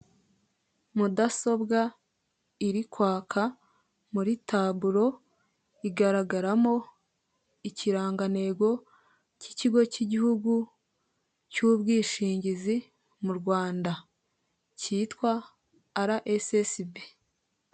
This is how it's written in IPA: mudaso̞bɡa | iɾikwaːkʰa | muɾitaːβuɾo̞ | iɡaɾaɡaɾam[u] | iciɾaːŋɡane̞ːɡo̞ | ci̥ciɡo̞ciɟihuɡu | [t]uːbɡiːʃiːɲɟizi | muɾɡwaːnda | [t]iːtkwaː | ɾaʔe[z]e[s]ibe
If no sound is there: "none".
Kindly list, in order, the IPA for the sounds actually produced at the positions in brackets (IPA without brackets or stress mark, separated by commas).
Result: o, c, c, s, s